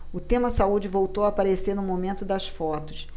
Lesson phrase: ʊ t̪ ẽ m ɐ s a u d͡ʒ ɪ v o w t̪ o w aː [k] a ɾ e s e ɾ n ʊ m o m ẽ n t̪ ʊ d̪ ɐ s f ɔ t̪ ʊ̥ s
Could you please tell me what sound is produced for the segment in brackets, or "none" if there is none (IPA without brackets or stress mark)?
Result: p